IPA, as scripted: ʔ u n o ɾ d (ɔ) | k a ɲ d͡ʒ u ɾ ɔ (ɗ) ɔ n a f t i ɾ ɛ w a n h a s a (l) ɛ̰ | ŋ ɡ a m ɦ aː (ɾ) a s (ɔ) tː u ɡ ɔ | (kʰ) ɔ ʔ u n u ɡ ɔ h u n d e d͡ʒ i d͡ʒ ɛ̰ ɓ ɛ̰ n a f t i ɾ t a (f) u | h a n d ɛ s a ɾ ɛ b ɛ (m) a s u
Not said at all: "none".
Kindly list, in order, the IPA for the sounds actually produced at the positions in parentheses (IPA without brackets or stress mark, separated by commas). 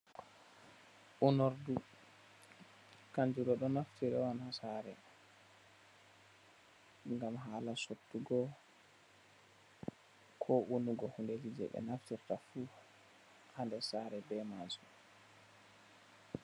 u, ɗ, ɾ, l, o, kʰ, f, m